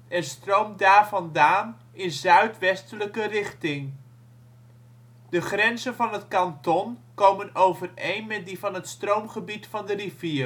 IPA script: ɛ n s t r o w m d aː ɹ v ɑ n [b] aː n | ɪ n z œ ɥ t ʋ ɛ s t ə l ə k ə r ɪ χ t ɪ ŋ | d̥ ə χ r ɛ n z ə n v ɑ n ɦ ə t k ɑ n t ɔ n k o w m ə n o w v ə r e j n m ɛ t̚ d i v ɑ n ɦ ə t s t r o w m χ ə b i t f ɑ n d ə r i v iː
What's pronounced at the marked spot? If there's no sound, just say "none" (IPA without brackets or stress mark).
d